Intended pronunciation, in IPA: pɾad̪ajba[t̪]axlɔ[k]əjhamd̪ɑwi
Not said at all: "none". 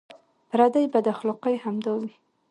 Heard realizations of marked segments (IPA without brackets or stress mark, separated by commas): d̪, q